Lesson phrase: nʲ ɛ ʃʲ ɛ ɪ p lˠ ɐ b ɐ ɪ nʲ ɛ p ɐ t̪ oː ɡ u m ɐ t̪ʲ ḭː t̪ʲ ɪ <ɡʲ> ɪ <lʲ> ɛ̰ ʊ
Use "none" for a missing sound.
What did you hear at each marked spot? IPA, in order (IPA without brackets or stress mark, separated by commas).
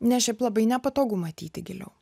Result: ɡʲ, lʲ